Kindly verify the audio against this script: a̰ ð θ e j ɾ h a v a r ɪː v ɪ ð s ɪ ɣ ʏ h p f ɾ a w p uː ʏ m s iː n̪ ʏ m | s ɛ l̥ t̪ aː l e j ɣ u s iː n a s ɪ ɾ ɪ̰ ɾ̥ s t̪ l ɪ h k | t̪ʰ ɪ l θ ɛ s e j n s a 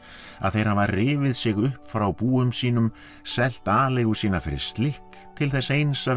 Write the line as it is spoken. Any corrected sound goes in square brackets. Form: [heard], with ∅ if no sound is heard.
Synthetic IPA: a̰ ð θ e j ɾ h a v a r ɪː v ɪ ð s ɪ ɣ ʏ h p f ɾ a w p uː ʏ m s iː n̪ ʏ m | s ɛ l̥ t̪ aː l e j ɣ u s iː n a [f] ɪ ɾ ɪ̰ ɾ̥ s t̪ l ɪ h k | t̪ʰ ɪ l θ ɛ s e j n s a